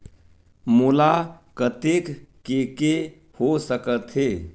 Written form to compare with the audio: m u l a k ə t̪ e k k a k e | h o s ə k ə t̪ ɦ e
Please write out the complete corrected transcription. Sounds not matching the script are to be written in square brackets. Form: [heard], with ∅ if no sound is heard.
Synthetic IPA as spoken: m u l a k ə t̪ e k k [e] k e | h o s ə k ə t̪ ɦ e